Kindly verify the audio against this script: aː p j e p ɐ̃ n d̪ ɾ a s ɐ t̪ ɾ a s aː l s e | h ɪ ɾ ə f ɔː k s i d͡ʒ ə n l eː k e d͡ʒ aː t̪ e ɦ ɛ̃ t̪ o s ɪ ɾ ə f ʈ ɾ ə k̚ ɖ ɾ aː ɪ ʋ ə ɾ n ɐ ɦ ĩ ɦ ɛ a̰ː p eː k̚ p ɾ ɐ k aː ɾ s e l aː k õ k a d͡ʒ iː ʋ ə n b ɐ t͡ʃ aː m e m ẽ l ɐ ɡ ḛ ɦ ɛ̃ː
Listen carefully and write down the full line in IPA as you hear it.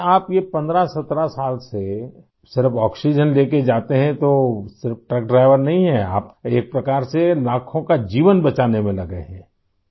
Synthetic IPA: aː p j e p ɐ̃ n d̪ ɾ a s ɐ t̪ ɾ a s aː l s e | s ɪ ɾ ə f ɔː k s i d͡ʒ ə n l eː k e d͡ʒ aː t̪ e ɦ ɛ̃ t̪ o s ɪ ɾ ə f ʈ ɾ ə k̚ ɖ ɾ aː ɪ ʋ ə ɾ n ɐ ɦ ĩ ɦ ɛ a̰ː p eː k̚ p ɾ ɐ k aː ɾ s e l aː kʰ õ k a d͡ʒ iː ʋ ə n b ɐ t͡ʃ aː n e m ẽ l ɐ ɡ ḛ ɦ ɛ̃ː